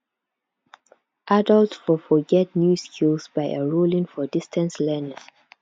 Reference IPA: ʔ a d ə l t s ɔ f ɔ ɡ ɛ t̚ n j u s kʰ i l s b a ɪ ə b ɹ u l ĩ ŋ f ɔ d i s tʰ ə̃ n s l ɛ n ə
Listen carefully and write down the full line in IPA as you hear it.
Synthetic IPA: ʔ a d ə l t f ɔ f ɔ ɡ ɛ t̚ n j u s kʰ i l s b a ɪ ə ɹ u l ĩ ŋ f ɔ d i s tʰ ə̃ n s l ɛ n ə